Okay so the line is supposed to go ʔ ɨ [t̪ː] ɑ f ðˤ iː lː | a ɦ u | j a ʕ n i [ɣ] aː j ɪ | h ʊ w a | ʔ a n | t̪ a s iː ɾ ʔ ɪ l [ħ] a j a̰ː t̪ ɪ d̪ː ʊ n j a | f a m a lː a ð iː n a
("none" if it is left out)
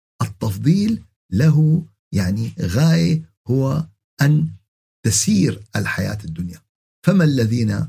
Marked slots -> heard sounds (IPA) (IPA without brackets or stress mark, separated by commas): t̪ː, ɣ, ħ